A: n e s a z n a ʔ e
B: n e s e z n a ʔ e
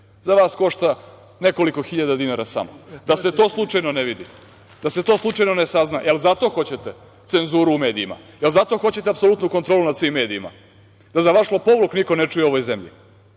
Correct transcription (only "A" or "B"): A